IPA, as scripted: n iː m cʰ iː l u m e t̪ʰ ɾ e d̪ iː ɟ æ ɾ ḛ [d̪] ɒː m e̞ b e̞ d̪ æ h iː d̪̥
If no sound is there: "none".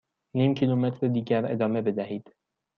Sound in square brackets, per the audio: d̪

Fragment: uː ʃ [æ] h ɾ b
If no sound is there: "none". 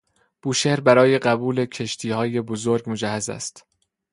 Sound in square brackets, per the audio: e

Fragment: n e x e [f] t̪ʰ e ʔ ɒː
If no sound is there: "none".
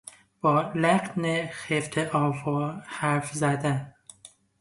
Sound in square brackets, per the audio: f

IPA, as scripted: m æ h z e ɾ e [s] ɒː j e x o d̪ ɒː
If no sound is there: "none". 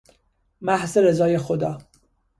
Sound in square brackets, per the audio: z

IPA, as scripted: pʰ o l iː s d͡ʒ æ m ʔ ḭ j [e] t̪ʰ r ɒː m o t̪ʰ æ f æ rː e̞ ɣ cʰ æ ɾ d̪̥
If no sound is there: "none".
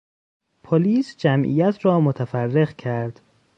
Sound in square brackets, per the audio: æ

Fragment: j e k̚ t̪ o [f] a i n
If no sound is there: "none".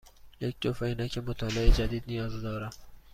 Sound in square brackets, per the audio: f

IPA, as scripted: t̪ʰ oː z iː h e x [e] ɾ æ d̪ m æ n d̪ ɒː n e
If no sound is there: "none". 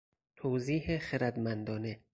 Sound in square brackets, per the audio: e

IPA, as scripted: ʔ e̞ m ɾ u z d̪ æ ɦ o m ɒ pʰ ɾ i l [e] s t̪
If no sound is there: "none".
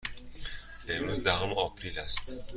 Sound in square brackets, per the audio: æ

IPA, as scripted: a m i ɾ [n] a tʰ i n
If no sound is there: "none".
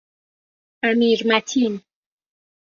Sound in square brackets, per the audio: m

